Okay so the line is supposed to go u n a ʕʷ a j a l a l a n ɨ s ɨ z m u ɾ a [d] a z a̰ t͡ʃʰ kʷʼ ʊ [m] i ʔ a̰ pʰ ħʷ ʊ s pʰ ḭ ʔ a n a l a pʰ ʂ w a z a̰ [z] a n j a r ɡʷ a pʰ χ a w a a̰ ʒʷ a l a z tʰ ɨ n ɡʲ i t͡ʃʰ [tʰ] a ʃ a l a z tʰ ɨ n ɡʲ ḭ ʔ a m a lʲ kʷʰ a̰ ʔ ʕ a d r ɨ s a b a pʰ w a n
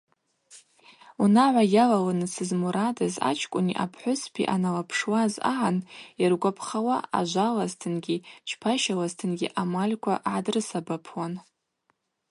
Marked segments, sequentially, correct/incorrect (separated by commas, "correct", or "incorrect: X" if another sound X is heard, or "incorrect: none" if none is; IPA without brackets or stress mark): correct, incorrect: n, incorrect: ʕ, incorrect: pʰ